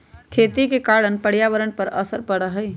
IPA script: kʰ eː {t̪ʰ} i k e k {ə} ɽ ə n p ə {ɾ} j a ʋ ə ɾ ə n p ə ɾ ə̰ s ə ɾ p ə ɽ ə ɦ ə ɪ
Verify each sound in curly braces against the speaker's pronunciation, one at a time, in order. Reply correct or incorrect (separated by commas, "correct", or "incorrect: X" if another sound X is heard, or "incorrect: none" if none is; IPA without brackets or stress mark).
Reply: incorrect: t̪, incorrect: a, incorrect: ɽ